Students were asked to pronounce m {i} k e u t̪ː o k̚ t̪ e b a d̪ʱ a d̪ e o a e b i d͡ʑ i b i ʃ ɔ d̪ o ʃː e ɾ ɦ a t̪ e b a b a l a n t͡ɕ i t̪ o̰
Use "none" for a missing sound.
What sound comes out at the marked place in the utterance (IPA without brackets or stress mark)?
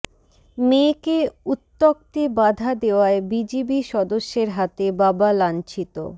e